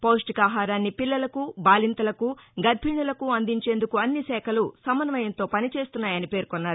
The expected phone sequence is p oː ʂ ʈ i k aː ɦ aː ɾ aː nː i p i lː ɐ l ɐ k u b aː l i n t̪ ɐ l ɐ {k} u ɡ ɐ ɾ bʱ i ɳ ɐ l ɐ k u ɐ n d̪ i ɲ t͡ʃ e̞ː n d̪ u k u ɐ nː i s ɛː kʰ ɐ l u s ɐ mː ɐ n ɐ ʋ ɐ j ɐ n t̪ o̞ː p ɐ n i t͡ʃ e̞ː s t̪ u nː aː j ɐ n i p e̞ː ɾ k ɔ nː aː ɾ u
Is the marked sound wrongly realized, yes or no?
no